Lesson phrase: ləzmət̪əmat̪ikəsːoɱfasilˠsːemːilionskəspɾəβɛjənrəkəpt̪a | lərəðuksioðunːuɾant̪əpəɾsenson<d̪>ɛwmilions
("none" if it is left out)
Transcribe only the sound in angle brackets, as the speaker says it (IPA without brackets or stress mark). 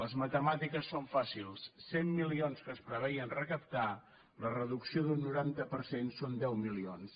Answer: d̪